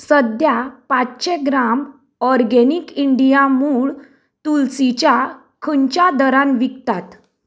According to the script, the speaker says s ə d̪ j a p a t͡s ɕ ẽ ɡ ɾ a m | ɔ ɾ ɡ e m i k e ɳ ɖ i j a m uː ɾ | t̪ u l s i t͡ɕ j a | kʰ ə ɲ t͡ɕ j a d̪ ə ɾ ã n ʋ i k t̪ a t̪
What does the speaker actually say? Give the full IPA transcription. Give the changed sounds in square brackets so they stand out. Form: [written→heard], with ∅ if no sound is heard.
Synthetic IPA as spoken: s ə d̪ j a p a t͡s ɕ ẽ ɡ ɾ a m | ɔ ɾ ɡ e [m→n] i k [e→i] ɳ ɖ i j a m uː [ɾ→ɭ] | t̪ u l s i t͡ɕ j a | kʰ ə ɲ t͡ɕ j a d̪ ə ɾ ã n ʋ i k t̪ a t̪